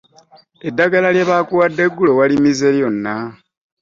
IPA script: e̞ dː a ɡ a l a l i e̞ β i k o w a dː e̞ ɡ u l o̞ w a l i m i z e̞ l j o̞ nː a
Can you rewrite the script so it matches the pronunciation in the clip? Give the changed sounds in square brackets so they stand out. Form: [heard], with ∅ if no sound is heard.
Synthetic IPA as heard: e̞ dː a ɡ a l a l [j] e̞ β [a] k [u] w a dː e̞ ɡ u l o̞ w a l i m i z e̞ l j o̞ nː a